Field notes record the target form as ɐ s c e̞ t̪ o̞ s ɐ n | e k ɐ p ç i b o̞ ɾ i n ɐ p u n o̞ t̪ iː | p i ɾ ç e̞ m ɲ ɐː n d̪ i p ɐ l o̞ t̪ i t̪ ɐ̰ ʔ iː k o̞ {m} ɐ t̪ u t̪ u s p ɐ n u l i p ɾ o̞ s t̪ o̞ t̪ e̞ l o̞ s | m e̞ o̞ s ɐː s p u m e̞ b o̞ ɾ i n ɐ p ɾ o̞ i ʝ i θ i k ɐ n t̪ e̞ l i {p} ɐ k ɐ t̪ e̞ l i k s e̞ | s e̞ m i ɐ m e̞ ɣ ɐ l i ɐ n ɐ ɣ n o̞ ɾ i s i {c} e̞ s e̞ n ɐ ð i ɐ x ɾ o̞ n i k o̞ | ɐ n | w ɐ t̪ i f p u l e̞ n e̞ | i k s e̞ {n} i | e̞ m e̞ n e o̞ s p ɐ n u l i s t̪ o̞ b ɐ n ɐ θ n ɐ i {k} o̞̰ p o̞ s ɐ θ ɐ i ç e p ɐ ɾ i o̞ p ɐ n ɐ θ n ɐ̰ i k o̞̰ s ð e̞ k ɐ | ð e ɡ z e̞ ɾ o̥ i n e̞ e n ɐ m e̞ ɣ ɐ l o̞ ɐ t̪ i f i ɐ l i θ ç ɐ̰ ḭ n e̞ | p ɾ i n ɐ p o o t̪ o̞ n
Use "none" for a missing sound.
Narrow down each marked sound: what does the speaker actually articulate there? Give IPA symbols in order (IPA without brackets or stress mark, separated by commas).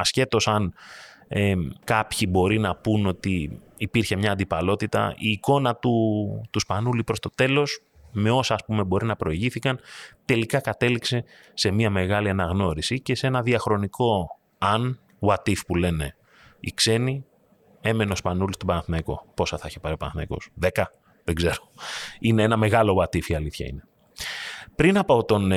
n, k, c, n, k